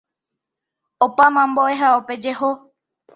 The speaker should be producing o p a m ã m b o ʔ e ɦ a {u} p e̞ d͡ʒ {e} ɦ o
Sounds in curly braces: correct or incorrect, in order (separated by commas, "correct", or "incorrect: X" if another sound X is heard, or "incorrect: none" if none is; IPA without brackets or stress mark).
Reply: incorrect: o, correct